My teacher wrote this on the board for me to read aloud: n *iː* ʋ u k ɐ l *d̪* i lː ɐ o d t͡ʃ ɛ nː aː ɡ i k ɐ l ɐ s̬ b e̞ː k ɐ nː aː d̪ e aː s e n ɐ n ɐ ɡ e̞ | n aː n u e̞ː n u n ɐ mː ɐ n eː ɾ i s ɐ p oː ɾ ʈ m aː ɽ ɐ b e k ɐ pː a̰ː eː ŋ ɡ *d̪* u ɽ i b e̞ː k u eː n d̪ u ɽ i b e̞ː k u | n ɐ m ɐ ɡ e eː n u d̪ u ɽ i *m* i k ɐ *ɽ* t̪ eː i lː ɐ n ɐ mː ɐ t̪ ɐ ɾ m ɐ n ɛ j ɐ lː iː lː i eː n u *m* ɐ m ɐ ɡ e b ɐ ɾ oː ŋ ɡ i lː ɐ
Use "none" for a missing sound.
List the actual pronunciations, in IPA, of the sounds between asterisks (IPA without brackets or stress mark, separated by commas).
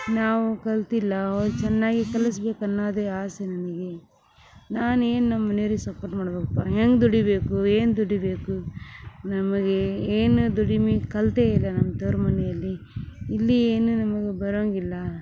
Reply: aː, t̪, d̪, m, l, n